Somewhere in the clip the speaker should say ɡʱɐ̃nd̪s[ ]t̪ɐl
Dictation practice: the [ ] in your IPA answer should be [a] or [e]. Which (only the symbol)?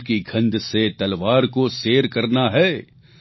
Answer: e